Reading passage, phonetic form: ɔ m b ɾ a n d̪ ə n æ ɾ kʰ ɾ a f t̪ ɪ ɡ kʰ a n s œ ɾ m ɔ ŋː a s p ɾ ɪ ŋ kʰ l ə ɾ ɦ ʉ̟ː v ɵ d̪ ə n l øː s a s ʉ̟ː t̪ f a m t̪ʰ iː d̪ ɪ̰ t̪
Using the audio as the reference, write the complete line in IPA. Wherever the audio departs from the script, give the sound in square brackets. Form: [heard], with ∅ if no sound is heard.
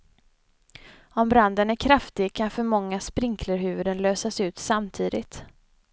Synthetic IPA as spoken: ɔ m b ɾ a n d̪ ə n æ ɾ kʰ ɾ a f t̪ ɪ ɡ kʰ a n [f] œ ɾ m ɔ ŋː a s p ɾ ɪ ŋ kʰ l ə ɾ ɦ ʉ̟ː v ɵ d̪ ə n l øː s a s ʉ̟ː t̪ [s] a m t̪ʰ iː d̪ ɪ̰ t̪